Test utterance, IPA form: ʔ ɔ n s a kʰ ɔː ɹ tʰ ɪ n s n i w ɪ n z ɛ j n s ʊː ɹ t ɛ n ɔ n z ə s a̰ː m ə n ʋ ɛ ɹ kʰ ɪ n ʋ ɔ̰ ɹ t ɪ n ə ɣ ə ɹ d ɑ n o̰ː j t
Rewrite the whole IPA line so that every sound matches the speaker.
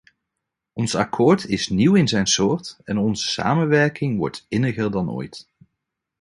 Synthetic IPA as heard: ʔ ɔ n s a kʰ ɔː ɹ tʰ ɪ s n i w ɪ n z ɛ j n s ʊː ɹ t ɛ n ɔ n z ə s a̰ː m ə n ʋ ɛ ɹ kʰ ɪ ŋ ʋ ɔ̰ ɹ t ɪ n ə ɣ ə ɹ d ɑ n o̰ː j t